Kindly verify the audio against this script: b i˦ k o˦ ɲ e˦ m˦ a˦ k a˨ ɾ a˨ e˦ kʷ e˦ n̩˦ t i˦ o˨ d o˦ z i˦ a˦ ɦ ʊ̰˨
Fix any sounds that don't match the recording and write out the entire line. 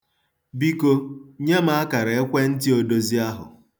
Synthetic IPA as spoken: b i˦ k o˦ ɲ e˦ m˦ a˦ k a˨ ɾ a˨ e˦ kʷ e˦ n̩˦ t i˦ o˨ d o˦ z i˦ a˦ ɦ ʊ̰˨